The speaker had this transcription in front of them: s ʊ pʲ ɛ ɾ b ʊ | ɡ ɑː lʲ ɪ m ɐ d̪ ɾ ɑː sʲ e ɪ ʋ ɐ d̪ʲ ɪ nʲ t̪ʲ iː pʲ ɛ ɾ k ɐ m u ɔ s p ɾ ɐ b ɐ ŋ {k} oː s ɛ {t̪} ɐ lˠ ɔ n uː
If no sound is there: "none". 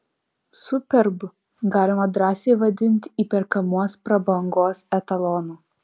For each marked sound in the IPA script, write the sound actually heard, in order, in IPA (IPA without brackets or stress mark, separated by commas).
ɡ, t̪